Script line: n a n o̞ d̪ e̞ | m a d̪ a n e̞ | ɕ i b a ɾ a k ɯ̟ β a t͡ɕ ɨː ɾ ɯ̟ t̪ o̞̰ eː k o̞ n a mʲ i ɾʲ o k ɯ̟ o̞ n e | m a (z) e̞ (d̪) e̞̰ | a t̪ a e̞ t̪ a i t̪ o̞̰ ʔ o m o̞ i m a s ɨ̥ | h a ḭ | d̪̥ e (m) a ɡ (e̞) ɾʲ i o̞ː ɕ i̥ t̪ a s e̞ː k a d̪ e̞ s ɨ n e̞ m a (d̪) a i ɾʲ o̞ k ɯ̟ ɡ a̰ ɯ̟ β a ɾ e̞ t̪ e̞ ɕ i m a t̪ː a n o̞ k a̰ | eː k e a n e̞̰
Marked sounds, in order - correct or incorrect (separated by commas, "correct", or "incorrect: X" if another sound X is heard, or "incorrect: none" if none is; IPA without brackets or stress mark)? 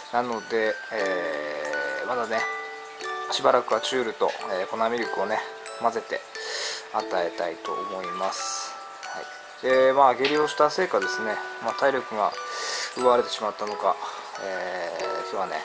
correct, incorrect: t̪, correct, correct, incorrect: t̪